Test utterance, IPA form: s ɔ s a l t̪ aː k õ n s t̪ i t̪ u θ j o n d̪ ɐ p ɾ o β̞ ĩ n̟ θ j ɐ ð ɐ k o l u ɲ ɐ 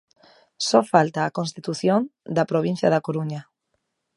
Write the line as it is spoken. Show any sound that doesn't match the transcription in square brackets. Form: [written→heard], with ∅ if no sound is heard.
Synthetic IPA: s ɔ [s→f] a l t̪ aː k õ n s t̪ i t̪ u θ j o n d̪ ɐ p ɾ o β̞ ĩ n̟ θ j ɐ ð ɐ k o [l→ɾ] u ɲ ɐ